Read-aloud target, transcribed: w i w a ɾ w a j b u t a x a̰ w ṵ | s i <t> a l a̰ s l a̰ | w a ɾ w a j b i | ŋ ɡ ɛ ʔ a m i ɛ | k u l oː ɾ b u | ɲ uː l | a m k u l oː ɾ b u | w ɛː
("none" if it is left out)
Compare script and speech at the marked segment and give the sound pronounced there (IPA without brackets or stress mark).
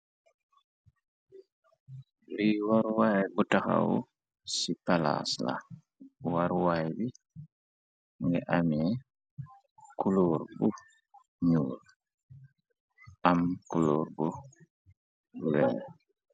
p